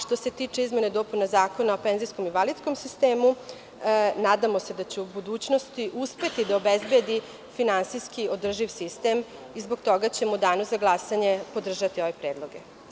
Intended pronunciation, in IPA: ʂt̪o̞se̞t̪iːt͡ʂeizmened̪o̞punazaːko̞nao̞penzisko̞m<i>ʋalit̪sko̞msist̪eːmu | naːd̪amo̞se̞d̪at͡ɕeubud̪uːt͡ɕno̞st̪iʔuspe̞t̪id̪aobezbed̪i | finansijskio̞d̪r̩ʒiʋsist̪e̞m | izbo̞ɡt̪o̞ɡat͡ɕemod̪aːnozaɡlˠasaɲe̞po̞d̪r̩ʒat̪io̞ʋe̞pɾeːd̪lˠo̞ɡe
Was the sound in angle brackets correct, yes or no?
yes